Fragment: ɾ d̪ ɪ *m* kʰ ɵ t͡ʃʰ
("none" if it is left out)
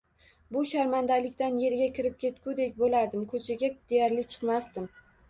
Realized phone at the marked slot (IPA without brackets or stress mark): m